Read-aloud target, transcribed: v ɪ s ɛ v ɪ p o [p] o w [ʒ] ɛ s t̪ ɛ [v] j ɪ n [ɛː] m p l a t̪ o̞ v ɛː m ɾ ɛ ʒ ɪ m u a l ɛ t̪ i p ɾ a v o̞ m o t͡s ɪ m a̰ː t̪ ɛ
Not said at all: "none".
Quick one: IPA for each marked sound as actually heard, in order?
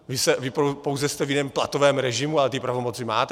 p, z, v, ɛː

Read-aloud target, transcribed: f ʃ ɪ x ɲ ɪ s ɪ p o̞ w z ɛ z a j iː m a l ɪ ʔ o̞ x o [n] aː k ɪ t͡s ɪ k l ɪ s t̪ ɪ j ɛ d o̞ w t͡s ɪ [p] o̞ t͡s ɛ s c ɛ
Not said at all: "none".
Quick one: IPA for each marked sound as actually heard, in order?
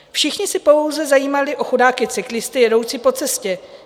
d, p

